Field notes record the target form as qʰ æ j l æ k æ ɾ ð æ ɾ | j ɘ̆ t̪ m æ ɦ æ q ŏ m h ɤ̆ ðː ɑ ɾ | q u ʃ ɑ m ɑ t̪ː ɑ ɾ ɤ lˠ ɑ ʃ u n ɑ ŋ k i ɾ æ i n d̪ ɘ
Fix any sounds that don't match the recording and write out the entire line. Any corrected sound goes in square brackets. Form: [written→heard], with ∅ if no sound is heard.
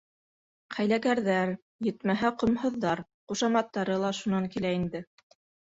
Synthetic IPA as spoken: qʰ æ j l æ k æ ɾ ð æ ɾ | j ɘ̆ t̪ m æ ɦ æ q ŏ m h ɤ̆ ðː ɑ ɾ | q u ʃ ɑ m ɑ t̪ː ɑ ɾ ɤ lˠ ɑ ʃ u n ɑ ŋ k i [ɾ→l] æ i n d̪ ɘ